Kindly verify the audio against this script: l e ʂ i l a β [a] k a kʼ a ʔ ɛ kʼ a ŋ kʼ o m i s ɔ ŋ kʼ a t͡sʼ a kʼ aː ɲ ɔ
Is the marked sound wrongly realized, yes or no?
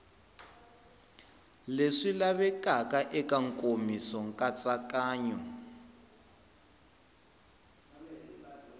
yes